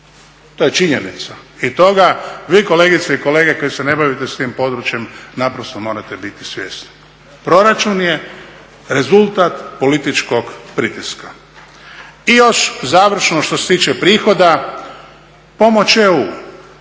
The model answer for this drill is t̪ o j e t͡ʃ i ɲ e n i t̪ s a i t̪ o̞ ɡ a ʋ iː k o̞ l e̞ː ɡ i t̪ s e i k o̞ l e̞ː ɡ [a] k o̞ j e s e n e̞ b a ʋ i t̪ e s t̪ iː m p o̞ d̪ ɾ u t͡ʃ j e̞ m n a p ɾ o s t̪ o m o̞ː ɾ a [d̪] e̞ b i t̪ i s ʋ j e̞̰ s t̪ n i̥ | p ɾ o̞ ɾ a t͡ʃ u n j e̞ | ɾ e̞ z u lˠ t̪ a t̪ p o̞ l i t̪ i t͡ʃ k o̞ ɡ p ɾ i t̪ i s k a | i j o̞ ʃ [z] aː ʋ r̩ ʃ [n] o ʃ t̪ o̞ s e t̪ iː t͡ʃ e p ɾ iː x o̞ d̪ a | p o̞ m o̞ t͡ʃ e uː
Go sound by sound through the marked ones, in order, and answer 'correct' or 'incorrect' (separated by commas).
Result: incorrect, incorrect, correct, correct